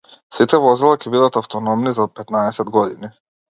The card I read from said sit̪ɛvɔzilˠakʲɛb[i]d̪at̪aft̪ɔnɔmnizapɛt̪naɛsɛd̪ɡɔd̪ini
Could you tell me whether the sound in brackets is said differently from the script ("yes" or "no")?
no